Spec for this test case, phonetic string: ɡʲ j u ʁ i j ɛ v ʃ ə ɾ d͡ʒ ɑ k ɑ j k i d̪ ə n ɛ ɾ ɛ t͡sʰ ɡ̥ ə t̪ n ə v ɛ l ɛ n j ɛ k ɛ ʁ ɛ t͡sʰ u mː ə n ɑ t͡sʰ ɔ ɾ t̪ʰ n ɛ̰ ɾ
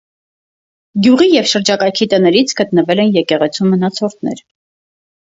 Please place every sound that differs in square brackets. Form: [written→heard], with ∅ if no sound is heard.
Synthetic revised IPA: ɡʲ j u ʁ i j ɛ v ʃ ə ɾ d͡ʒ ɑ k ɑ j [k→kʰ] i [d̪→t̪] ə n ɛ ɾ [ɛ→i] t͡sʰ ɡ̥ ə t̪ n ə v ɛ l ɛ n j ɛ k ɛ ʁ ɛ t͡sʰ u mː ə n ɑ t͡sʰ ɔ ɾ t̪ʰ n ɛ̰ ɾ